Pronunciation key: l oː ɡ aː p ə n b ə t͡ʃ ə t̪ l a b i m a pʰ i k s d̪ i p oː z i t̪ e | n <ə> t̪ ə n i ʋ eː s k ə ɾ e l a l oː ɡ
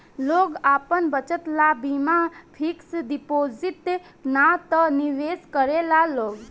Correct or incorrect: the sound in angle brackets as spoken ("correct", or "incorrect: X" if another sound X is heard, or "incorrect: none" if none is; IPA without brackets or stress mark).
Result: incorrect: a